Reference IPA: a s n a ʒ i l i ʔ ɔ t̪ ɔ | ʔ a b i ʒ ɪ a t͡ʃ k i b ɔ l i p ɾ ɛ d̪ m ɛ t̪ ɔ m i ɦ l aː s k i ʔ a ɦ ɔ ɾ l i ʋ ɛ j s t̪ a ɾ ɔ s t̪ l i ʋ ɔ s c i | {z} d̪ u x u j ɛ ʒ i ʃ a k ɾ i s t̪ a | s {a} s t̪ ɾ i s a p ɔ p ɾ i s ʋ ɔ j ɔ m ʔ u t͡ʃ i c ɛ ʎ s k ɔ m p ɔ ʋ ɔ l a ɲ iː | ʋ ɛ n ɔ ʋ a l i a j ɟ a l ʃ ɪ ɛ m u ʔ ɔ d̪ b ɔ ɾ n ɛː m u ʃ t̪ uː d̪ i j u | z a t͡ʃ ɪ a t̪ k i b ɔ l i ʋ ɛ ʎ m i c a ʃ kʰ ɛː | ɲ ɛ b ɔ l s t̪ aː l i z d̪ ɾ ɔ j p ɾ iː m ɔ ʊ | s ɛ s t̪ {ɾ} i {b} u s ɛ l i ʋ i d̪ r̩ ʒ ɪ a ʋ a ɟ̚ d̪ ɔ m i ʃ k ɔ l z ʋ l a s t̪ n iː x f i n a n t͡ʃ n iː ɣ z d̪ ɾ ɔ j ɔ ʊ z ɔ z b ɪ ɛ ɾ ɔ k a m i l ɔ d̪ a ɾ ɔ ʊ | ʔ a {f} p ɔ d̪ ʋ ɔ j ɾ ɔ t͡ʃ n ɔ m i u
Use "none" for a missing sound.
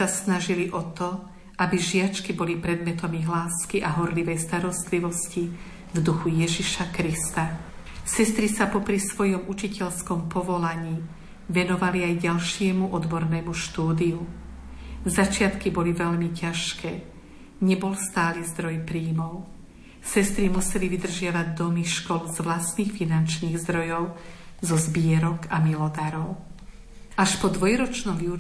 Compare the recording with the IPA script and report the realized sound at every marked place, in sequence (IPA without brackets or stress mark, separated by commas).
v, ɛ, ɾ, m, ʃ